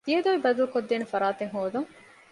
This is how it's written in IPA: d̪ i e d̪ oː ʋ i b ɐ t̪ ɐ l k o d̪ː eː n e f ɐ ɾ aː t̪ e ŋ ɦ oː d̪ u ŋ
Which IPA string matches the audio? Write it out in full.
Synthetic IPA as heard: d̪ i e d̪ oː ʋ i b ɐ d̪ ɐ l k o d̪ː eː n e f ɐ ɾ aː t̪ e ŋ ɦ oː d̪ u ŋ